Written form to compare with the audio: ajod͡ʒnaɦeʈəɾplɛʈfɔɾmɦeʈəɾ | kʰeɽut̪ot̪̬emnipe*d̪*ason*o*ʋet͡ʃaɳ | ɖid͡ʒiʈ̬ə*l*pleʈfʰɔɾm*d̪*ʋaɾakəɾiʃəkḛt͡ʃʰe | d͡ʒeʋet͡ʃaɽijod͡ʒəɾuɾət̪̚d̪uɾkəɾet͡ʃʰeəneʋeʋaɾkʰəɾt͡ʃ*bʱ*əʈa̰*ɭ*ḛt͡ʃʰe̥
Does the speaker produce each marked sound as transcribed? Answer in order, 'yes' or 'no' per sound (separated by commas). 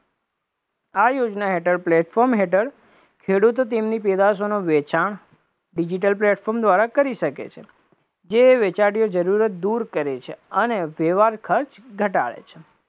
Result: yes, yes, yes, yes, no, yes